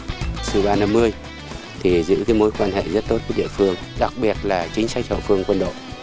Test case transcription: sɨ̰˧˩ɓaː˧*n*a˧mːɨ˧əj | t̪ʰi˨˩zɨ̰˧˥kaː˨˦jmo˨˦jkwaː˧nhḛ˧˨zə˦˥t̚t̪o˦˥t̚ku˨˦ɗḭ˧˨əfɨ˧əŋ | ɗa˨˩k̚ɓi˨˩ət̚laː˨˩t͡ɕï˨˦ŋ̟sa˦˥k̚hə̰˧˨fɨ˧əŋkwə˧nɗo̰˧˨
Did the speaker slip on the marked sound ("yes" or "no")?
no